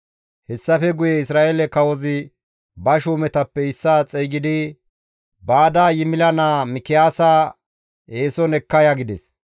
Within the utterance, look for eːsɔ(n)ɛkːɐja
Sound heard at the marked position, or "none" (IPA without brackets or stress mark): n